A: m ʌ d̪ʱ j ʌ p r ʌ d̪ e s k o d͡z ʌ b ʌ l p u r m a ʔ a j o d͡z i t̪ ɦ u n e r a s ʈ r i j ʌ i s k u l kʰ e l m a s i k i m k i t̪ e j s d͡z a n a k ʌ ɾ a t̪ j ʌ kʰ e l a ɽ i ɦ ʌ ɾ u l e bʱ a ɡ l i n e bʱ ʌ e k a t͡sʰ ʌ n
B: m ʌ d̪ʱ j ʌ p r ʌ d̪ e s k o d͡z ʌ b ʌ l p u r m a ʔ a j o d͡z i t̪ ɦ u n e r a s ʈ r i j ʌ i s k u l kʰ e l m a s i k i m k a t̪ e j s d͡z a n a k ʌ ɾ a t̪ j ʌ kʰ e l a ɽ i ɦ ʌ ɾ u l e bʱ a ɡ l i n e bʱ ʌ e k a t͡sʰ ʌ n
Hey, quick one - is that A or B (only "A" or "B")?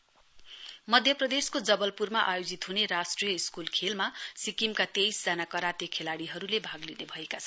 B